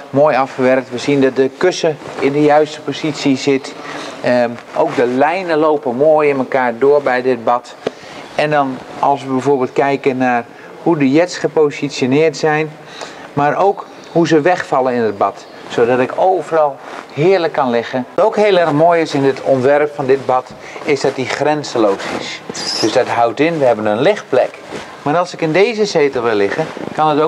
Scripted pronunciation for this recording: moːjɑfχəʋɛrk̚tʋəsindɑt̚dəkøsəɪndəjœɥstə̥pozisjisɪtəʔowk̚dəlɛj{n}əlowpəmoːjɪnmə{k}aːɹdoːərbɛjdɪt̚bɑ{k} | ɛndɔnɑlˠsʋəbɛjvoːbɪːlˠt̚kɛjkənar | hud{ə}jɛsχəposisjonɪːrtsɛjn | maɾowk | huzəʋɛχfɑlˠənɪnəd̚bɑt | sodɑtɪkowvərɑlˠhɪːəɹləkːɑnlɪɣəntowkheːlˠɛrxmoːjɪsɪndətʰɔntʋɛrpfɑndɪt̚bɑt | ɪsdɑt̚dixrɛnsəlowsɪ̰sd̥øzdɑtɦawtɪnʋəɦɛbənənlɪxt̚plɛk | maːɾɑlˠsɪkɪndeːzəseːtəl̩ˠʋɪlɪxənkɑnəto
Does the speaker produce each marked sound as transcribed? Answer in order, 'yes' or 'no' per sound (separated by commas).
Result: yes, yes, no, yes